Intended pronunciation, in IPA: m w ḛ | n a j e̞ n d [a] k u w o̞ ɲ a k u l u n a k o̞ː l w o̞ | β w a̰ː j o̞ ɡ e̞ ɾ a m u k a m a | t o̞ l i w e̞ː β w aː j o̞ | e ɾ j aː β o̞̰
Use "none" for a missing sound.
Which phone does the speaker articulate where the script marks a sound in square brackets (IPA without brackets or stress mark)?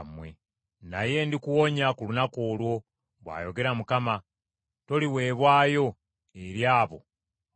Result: i